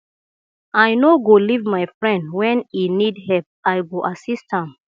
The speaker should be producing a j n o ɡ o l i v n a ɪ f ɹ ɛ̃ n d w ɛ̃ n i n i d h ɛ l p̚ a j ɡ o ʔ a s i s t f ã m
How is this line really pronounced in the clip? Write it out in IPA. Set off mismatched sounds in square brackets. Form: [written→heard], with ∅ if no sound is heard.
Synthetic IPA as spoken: a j n o ɡ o l i v [n→m] a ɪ f ɹ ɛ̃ n d w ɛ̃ n i n i d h ɛ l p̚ a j ɡ o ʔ a s i s t [f→h] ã m